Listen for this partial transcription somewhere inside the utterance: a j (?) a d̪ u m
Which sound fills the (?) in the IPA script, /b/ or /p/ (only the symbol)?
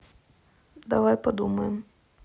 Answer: p